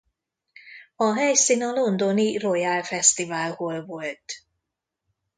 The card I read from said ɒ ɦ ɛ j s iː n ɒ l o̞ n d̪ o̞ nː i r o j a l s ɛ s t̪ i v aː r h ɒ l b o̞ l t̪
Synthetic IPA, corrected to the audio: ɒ ɦ ɛ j s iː n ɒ l o̞ n d̪ o̞ n i r o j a l f ɛ s t̪ i v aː l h o l v o̞ l t̪